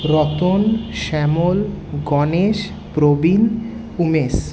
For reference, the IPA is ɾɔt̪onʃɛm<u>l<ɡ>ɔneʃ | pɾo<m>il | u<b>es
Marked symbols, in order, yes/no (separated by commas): no, yes, no, no